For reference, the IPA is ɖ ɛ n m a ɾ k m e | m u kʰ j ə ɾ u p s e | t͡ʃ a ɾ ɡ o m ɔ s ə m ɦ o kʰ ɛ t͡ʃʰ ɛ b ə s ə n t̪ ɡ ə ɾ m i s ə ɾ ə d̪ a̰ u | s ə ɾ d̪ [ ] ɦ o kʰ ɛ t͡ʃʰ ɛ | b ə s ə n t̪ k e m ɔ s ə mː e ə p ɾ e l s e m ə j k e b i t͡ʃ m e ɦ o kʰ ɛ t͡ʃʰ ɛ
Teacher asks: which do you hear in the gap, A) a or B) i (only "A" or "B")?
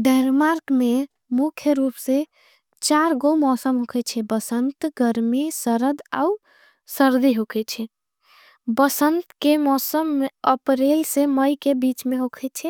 B